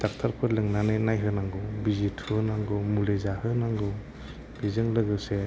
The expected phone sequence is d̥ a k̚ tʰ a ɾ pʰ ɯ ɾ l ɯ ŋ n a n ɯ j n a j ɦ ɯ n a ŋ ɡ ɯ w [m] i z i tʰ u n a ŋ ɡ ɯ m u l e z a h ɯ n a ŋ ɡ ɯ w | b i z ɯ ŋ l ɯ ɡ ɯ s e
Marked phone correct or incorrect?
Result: incorrect